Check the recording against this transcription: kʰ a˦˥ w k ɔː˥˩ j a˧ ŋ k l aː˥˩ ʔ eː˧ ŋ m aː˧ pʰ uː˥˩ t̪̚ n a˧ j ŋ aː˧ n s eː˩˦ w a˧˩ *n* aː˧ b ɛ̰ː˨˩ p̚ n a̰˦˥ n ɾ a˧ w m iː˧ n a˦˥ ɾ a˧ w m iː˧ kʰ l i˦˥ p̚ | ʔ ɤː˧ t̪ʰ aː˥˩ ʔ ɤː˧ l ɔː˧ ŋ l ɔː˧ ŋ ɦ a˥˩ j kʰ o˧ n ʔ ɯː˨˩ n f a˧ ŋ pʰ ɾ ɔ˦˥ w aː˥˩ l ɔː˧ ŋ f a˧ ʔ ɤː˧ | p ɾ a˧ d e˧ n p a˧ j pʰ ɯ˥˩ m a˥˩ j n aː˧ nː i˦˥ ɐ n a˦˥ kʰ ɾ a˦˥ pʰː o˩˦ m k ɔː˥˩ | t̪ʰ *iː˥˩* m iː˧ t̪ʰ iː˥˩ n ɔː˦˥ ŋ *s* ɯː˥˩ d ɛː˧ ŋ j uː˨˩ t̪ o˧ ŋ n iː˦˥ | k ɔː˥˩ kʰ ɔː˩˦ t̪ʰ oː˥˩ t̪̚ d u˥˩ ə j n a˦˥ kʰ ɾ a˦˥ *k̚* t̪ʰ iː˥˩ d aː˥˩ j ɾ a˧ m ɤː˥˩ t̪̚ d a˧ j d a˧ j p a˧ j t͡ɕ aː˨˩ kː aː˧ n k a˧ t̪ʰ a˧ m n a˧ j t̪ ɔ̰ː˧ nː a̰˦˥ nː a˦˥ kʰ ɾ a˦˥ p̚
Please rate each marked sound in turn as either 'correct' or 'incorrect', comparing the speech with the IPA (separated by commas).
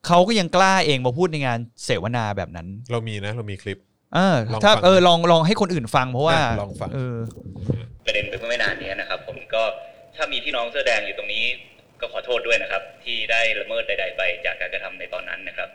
correct, incorrect, correct, incorrect